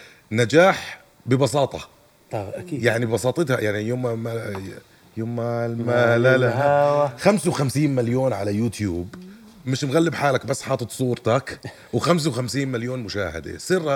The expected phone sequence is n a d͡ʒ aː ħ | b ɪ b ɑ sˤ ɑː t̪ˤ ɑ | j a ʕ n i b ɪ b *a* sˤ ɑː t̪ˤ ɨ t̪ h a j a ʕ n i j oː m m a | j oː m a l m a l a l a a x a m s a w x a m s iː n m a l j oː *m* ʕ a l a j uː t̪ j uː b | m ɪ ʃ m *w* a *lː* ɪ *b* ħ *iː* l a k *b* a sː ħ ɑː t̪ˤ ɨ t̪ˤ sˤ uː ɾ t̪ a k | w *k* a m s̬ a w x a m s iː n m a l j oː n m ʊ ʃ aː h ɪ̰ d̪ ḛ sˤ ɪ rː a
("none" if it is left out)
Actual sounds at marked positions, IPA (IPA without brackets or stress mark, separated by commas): ɑ, n, ɣ, lː, b, aː, b, x